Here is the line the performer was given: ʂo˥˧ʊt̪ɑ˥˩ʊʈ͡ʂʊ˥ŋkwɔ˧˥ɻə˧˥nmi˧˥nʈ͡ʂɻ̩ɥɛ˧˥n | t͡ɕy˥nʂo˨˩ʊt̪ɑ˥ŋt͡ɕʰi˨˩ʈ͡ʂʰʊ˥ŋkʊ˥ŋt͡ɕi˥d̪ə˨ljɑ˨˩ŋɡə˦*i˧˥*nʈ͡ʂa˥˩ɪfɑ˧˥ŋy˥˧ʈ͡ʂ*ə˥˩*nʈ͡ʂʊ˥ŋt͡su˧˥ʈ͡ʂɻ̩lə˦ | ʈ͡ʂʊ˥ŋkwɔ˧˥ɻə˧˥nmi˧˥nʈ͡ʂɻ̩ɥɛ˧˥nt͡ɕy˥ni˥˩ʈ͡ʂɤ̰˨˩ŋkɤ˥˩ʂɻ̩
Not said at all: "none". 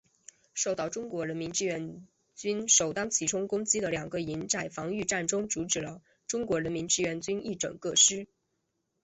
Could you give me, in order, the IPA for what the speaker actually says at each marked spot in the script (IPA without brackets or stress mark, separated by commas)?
i˧˥, a˥˩